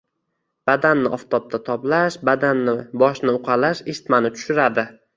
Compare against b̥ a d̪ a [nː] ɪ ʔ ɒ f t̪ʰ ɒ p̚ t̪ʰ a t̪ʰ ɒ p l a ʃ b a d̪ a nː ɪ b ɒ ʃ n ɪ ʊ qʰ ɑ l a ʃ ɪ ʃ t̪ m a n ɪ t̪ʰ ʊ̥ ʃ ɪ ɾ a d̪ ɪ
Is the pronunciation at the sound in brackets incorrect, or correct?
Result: correct